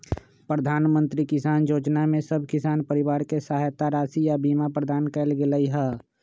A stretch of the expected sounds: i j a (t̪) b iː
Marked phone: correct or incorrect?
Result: incorrect